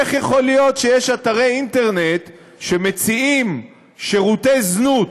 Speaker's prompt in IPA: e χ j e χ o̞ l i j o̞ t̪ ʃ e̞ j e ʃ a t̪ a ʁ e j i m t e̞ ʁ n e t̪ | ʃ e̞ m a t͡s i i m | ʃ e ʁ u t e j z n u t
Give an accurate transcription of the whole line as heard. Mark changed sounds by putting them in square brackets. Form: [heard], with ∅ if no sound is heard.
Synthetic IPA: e χ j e χ o̞ l i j o̞ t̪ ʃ e̞ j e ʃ a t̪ a ʁ e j i [n] t e̞ ʁ n e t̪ | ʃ e̞ m [e] t͡s i i m | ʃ e ʁ u t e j z n u t